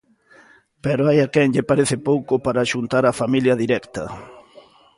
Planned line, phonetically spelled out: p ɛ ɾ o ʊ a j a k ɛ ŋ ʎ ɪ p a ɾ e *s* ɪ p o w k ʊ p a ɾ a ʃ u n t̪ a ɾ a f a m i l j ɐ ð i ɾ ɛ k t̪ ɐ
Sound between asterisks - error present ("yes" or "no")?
yes